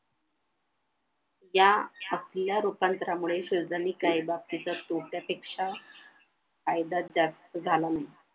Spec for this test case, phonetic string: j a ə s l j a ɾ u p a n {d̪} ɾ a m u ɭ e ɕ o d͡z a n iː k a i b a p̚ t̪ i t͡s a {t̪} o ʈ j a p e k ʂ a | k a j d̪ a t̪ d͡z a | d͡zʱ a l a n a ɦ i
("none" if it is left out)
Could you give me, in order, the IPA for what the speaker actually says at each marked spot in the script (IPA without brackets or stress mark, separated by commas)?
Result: t̪, t̪